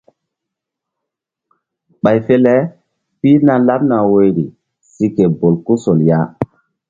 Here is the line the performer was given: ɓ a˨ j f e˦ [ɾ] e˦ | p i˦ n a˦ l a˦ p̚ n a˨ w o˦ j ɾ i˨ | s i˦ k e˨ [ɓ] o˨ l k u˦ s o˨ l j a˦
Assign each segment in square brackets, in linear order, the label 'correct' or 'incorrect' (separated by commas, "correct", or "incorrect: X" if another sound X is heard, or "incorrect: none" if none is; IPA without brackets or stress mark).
incorrect: l, incorrect: b